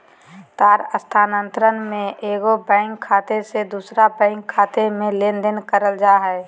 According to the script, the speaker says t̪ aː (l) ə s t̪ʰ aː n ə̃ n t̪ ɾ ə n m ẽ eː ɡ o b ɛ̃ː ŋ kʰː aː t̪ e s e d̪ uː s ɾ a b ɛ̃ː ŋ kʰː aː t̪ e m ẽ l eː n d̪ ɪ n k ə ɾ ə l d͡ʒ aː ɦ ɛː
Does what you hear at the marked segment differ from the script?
yes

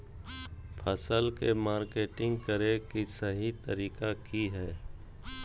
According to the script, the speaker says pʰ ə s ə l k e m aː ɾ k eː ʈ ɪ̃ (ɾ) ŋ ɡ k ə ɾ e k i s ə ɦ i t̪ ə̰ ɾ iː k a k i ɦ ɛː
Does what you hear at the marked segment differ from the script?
yes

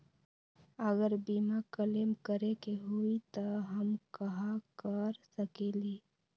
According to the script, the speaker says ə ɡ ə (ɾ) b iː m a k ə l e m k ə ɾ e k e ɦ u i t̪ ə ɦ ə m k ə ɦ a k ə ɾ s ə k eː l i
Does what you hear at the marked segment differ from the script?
no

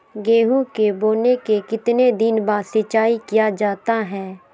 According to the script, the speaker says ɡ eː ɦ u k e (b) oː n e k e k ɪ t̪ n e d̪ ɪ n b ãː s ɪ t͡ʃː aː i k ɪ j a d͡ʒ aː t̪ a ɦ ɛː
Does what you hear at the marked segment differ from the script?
no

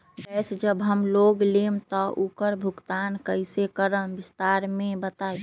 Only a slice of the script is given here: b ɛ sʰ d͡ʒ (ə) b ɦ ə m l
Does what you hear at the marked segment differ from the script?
no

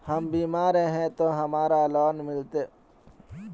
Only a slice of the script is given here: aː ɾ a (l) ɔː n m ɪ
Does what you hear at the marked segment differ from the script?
no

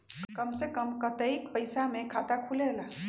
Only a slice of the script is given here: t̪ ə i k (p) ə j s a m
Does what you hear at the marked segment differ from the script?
no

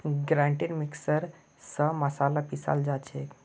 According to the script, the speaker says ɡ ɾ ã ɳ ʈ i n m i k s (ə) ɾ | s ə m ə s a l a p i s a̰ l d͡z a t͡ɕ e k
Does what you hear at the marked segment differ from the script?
no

